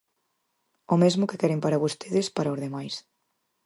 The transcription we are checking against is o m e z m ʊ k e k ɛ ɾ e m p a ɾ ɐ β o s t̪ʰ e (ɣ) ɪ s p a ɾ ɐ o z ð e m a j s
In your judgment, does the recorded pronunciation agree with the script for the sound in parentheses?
no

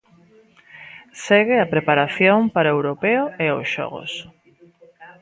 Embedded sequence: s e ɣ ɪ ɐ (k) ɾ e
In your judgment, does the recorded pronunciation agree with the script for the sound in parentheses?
no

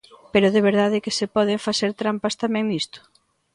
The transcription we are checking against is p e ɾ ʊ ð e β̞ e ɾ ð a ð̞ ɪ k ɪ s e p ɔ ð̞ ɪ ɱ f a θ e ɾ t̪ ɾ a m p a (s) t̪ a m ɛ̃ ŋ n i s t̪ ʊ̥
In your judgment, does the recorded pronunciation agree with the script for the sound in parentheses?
yes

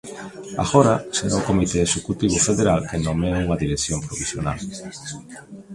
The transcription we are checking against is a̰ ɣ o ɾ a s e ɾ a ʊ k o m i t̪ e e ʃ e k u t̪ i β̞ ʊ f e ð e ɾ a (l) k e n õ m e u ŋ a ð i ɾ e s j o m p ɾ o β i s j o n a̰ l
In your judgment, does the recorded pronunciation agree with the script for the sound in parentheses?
yes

